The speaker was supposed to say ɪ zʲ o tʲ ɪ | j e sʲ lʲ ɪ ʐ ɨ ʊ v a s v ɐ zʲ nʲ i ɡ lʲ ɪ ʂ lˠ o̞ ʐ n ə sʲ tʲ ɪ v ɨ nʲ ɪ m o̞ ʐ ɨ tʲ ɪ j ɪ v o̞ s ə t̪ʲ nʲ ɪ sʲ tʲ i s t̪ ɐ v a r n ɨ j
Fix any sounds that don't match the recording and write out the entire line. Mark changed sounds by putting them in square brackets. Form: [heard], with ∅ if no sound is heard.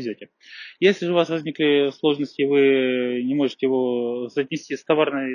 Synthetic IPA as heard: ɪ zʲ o tʲ ɪ | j e sʲ lʲ ɪ ʐ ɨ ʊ v a s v ɐ zʲ nʲ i [k] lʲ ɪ [s] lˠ o̞ ʐ n ə sʲ tʲ ɪ v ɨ nʲ ɪ m o̞ ʐ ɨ tʲ ɪ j ɪ v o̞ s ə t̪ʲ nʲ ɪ sʲ tʲ i s t̪ ɐ v a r n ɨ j